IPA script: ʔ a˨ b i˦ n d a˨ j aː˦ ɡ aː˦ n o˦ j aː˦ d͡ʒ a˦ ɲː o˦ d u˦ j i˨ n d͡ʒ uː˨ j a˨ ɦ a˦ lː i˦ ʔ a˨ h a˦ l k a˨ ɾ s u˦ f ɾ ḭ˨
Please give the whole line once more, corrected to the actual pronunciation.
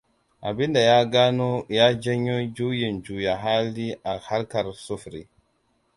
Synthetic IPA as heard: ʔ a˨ b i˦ n d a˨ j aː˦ ɡ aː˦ n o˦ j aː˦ d͡ʒ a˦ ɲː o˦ d͡ʒ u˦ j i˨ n d͡ʒ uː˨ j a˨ ɦ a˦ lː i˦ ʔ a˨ h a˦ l k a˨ ɾ s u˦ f ɾ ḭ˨